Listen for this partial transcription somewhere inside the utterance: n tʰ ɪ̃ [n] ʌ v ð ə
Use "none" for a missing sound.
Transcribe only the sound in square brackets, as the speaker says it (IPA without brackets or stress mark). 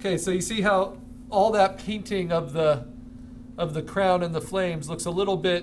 ŋ